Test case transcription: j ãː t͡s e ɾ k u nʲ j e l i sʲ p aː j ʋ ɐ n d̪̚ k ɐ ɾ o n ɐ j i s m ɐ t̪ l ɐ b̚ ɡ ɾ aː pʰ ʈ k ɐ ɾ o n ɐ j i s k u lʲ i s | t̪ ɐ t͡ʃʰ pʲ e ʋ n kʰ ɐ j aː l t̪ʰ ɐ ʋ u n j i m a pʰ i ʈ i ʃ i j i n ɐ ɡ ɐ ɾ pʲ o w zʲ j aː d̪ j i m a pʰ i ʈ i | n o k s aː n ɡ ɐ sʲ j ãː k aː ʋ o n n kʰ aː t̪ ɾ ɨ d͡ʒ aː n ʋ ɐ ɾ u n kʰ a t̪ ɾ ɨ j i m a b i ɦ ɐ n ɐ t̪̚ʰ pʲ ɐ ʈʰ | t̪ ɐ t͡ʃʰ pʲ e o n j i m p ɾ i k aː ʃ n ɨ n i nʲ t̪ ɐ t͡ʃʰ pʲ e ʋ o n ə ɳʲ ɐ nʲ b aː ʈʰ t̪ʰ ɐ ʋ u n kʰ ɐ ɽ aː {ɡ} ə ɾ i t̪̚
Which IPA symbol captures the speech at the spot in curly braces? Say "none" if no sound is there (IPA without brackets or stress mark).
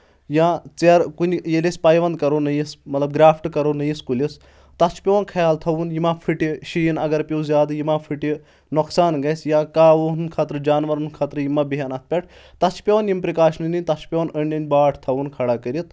k